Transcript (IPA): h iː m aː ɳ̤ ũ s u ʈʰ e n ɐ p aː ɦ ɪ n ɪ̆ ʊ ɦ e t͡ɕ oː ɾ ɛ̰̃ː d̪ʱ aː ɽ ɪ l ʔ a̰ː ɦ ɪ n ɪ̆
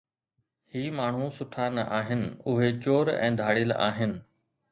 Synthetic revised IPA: h iː m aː ɳ̤ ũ s ʊ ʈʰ a n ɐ ʔ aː ɦ ɪ n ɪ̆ ʊ ɦ e t͡ɕ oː ɾ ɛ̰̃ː d̪ʱ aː ɽ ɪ l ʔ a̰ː ɦ ɪ n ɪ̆